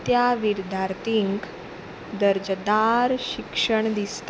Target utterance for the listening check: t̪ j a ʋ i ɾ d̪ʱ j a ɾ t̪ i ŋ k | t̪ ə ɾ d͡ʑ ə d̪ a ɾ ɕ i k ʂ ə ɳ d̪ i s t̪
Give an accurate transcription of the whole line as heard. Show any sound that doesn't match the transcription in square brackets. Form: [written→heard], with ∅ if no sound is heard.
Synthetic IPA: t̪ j a ʋ i ɾ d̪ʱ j a ɾ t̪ i ŋ k | [t̪→d̪] ə ɾ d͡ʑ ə d̪ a ɾ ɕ i k ʂ ə ɳ d̪ i s t̪